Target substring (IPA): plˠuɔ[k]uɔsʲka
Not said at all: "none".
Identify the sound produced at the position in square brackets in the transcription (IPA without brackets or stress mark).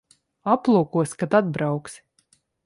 k